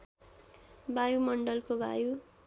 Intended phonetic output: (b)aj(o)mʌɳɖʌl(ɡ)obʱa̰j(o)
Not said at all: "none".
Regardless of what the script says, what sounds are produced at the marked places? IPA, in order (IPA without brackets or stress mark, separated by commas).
b, u, k, u